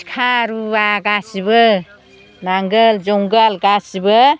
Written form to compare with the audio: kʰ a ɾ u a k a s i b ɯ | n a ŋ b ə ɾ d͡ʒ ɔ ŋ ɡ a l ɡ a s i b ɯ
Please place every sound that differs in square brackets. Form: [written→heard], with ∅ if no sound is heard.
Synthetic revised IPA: kʰ a ɾ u a [k→ɡ] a s i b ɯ | n a ŋ [b→ɡ] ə [ɾ→l] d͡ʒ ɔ ŋ ɡ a l ɡ a s i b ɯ